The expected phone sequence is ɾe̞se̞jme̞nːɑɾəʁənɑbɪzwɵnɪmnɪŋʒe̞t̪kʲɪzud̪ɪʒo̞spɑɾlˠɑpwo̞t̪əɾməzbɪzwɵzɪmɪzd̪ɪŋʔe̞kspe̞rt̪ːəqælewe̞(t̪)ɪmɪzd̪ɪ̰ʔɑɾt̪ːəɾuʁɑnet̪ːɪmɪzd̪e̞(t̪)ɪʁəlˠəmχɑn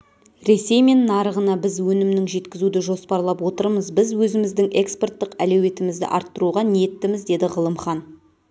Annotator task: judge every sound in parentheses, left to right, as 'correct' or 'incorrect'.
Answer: correct, incorrect

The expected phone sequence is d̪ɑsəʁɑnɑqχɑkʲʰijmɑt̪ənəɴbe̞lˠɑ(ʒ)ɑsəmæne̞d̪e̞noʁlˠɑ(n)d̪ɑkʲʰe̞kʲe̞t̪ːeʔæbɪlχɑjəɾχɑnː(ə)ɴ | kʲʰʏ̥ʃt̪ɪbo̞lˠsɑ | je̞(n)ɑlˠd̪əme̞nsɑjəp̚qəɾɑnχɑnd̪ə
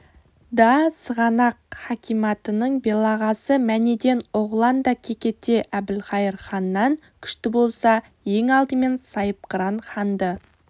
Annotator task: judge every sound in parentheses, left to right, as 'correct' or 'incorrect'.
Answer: incorrect, correct, incorrect, incorrect

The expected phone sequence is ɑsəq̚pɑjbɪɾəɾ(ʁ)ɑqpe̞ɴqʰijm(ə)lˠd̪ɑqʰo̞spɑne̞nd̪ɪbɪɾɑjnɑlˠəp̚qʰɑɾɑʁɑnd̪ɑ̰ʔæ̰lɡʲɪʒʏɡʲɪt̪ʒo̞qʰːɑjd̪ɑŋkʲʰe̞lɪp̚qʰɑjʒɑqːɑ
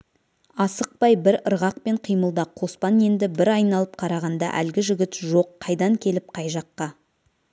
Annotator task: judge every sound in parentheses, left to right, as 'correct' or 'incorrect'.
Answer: correct, correct

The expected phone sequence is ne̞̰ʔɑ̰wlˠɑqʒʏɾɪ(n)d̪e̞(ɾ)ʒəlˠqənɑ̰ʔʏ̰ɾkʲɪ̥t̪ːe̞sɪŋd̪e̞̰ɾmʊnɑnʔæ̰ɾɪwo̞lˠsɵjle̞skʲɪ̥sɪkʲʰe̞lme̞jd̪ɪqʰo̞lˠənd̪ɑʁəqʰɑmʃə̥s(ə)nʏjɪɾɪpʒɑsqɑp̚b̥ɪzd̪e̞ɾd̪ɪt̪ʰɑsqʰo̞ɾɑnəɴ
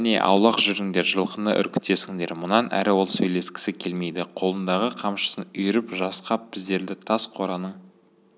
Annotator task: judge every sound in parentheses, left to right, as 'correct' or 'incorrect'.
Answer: incorrect, correct, correct

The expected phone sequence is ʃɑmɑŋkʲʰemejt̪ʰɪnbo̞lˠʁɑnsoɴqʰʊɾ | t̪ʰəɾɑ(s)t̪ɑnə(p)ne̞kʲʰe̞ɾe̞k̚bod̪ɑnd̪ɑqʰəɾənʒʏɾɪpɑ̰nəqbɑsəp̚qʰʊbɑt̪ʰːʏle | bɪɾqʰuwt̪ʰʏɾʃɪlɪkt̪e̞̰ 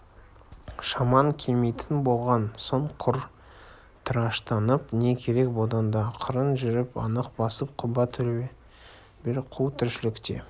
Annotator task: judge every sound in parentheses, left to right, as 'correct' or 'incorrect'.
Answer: incorrect, correct

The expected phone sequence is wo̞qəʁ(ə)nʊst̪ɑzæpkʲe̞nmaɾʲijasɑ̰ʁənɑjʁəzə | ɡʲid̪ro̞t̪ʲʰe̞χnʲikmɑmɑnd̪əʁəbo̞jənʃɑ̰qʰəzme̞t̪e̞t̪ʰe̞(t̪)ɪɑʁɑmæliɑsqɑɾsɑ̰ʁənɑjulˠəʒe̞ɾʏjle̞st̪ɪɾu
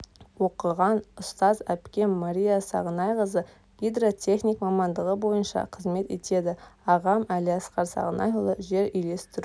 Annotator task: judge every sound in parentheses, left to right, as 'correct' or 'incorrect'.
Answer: incorrect, incorrect

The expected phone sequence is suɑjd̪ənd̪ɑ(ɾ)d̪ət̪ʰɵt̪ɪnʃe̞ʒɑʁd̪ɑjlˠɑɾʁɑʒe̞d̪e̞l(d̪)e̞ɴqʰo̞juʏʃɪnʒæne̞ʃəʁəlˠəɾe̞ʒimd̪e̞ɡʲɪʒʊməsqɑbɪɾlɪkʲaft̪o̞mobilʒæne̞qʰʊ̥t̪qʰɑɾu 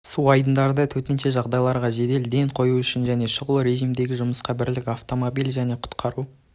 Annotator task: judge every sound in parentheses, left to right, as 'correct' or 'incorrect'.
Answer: correct, correct

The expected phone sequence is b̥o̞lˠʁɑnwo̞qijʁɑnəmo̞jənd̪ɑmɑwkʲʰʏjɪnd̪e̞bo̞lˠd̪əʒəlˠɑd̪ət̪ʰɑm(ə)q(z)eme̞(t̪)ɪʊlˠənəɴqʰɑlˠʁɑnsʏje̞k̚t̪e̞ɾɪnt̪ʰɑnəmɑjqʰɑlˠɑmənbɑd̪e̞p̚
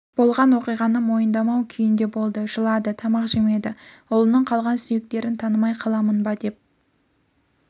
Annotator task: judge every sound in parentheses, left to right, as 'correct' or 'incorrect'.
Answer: incorrect, incorrect, incorrect

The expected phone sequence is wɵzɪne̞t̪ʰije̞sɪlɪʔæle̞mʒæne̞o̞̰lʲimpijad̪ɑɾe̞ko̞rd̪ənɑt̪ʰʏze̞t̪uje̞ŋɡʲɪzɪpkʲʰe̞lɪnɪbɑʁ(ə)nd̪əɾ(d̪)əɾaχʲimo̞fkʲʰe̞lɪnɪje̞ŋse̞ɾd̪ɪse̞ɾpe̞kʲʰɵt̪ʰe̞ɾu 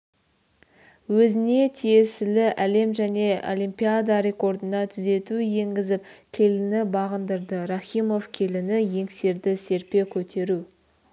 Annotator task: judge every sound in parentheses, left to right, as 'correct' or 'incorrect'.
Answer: correct, correct

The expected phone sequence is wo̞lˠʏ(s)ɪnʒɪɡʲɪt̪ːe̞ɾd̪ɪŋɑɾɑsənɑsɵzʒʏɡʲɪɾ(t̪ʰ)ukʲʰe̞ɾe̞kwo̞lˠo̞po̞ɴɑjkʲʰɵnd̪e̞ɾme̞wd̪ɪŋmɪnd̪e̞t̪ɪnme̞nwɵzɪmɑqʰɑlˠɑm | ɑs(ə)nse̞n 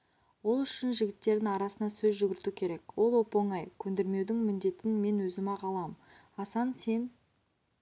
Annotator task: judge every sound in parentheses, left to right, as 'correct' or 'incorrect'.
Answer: incorrect, incorrect, incorrect

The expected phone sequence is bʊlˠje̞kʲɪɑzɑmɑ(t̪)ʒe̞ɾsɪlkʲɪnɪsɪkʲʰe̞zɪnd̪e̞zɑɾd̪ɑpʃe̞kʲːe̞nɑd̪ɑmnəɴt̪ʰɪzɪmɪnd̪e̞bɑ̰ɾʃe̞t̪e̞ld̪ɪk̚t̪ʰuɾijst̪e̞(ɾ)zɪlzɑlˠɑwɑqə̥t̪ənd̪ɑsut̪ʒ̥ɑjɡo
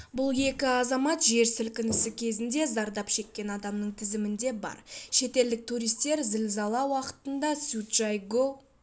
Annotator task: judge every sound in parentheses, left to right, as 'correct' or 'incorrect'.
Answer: correct, correct

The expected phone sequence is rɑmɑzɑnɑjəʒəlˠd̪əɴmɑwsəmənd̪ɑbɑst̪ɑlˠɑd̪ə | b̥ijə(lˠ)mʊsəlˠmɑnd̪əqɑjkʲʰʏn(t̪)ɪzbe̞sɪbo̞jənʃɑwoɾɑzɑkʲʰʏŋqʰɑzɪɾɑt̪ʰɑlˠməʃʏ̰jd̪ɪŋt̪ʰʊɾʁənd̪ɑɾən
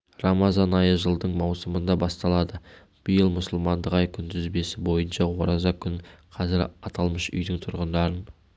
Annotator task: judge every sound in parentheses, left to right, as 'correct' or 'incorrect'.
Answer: correct, incorrect

